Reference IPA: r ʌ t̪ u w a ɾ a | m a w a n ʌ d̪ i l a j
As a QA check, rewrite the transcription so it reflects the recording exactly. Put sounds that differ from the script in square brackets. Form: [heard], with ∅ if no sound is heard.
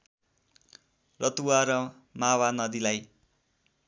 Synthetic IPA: r ʌ t̪ u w a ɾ [ʌ] | m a w a n ʌ d̪ i l a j